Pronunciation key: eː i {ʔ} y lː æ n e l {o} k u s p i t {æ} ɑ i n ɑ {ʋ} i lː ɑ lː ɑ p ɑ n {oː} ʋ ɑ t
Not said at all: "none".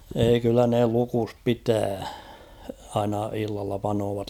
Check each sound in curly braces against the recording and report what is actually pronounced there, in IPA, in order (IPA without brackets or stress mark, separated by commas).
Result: k, u, æː, none, oː